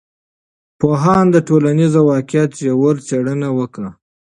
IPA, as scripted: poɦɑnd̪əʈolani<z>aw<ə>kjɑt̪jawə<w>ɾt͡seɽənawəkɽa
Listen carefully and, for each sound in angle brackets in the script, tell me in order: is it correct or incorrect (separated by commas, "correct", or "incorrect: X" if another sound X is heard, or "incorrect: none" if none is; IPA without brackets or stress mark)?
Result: correct, incorrect: ɑ, incorrect: none